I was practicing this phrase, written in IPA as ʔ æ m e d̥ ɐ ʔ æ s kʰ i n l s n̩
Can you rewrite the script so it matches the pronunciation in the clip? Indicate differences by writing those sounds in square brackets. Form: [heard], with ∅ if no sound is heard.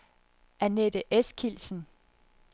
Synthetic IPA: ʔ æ [n] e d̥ [ə] ʔ [e] s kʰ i [∅] l s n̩